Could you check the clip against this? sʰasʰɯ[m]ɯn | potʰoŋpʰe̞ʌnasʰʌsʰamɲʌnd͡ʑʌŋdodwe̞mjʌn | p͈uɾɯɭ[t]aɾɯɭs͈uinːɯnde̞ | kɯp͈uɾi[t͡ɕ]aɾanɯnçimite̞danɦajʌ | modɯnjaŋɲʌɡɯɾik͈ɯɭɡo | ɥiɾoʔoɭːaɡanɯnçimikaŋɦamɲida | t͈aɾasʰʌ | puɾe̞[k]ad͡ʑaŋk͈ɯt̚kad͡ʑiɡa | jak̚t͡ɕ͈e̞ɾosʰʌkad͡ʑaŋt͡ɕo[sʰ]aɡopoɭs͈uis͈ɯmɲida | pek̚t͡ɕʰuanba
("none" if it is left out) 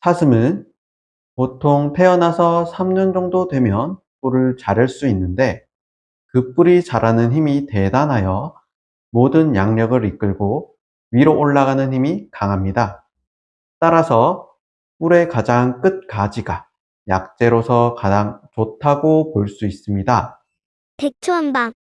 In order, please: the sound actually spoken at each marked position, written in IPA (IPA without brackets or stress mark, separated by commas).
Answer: m, t͡ɕ, t͡ɕ, k, tʰ